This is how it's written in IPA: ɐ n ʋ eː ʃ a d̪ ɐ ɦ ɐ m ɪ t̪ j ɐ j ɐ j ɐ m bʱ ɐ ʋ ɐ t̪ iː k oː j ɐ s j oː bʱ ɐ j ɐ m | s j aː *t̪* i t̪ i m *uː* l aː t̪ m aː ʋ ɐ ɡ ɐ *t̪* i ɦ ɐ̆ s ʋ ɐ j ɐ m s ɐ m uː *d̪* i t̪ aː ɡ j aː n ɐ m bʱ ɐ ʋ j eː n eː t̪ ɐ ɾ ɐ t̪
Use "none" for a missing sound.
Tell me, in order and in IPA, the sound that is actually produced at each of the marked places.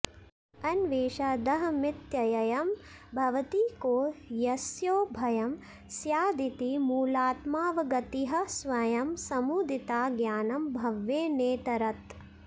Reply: d̪, uː, t̪, d̪

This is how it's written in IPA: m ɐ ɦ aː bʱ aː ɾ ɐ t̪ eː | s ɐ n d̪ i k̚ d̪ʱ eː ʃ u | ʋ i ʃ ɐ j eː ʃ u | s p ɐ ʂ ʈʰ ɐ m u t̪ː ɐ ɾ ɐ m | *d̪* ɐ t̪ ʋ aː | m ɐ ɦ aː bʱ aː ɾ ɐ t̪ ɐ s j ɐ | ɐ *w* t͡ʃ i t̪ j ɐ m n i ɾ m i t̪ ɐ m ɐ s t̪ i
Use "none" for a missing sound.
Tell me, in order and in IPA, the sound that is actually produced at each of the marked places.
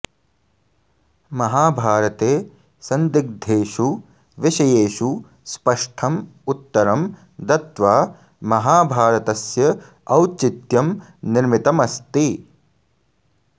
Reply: d̪, w

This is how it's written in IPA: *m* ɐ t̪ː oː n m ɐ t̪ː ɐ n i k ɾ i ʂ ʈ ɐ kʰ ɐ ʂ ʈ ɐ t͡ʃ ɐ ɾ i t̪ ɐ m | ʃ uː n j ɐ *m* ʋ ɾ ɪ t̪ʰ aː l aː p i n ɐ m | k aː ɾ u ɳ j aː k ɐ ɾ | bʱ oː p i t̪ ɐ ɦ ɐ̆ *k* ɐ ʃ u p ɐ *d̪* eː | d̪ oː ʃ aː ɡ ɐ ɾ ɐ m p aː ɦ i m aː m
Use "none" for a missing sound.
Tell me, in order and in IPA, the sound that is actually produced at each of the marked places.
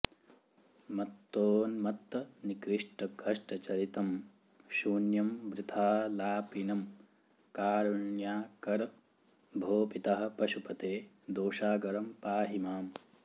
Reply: m, m, p, t̪

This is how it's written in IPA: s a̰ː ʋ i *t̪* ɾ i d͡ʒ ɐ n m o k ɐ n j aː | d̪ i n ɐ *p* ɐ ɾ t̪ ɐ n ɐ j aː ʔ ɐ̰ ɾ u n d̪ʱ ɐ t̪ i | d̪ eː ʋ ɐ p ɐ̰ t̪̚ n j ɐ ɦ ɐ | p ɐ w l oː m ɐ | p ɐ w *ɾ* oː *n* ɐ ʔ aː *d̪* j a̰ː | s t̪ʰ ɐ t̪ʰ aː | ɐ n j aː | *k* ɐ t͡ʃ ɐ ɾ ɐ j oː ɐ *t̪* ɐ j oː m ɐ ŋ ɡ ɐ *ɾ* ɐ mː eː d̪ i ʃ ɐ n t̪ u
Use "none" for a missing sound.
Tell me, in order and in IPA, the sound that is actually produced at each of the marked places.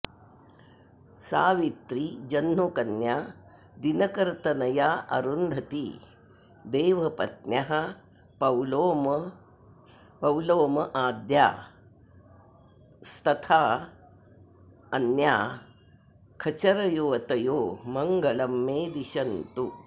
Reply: t̪, k, l, m, d̪, kʰ, t̪, l

